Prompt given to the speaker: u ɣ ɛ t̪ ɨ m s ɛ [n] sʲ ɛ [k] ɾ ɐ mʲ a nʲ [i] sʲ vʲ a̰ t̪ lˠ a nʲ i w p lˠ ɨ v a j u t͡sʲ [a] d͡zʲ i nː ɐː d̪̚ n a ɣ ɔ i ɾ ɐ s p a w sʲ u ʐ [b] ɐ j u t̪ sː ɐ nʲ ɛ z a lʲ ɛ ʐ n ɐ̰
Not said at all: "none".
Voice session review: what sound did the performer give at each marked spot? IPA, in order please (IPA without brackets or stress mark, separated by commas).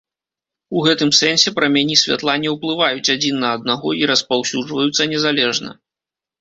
n, p, i, a, v